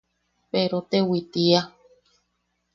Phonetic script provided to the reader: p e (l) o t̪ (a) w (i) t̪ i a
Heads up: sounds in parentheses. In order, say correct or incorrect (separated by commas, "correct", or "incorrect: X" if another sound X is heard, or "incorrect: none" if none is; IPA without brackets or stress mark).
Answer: incorrect: ɾ, incorrect: e, correct